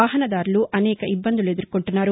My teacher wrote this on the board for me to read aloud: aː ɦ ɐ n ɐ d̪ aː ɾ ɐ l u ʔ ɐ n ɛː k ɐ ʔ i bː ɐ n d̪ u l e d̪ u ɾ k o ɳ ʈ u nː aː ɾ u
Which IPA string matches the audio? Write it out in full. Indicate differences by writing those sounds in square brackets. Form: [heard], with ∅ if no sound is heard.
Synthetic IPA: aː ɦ ɐ n ɐ d̪ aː ɾ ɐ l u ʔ ɐ n ɛː k ɐ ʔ i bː ɐ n d̪ u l e d̪ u ɾ k o ɳ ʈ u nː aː ɾ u